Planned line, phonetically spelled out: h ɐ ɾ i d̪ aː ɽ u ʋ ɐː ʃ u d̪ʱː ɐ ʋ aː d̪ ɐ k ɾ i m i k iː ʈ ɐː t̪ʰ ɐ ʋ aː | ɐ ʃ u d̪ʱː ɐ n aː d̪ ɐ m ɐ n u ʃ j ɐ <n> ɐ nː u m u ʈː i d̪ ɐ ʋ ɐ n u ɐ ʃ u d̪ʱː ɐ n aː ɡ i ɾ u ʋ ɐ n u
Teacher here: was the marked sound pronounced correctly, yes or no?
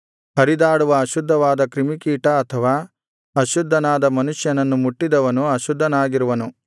yes